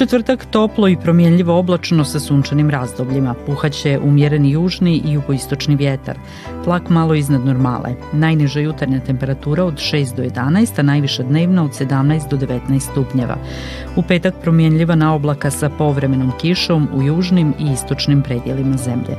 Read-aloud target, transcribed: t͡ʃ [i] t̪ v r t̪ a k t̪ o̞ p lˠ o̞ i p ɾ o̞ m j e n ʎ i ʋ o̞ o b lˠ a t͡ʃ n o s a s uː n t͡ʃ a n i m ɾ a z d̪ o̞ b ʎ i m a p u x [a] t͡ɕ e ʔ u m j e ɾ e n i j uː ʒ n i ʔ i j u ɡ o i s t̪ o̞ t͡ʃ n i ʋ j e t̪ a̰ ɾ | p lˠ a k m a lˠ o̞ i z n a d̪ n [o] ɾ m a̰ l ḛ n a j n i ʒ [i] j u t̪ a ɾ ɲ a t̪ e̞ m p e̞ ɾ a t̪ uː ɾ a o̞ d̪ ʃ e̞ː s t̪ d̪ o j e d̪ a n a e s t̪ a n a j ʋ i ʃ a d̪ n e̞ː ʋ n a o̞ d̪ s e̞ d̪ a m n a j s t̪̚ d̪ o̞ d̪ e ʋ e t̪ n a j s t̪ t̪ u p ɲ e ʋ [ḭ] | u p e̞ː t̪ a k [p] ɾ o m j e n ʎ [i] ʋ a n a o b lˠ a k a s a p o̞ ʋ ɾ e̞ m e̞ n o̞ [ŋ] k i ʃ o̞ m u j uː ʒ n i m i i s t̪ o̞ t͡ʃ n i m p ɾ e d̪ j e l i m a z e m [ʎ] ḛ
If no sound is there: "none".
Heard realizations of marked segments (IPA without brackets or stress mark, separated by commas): e, a, o, a, a̰, p, i, m, ʎ